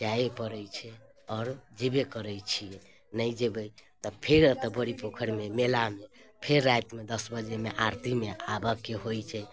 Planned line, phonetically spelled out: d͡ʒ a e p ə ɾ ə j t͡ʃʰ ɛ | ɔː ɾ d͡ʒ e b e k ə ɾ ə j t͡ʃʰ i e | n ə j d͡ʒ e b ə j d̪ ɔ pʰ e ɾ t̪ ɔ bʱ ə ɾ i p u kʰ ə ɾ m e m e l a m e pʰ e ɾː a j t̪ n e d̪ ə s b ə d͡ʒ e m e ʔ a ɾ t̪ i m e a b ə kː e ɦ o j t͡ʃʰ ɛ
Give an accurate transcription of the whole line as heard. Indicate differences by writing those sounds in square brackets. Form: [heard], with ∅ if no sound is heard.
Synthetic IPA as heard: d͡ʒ a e p ə ɾ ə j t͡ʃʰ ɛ | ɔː ɾ d͡ʒ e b e k ə ɾ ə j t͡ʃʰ i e | n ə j d͡ʒ e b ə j [t̪] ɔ pʰ e ɾ t̪ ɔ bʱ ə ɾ i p [o] kʰ ə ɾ m e m e l a m e pʰ e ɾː a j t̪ [m] e d̪ ə s b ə d͡ʒ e m e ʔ a ɾ t̪ i m e a b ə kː e ɦ o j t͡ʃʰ ɛ